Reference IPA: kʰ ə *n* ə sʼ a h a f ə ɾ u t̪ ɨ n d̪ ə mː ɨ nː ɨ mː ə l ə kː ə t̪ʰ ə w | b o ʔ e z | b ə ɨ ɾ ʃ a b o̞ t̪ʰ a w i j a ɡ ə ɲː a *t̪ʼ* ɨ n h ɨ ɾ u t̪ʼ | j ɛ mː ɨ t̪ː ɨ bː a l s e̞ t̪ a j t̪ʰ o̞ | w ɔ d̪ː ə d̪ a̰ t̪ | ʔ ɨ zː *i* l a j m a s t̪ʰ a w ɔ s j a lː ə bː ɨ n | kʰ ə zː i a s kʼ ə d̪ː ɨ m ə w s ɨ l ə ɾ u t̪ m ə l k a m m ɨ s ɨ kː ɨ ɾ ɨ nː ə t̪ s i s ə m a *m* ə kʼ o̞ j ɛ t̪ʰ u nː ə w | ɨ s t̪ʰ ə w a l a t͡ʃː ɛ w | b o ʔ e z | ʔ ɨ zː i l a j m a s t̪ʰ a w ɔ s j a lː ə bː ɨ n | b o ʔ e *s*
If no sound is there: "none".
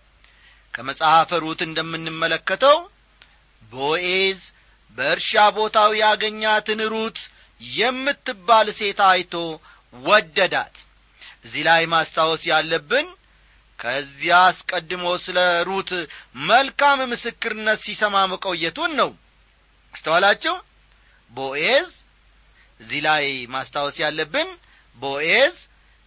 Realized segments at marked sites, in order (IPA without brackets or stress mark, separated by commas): m, t̪, i, m, z